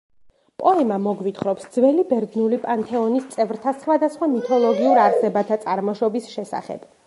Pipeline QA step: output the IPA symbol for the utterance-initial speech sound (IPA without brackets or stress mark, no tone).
pʼ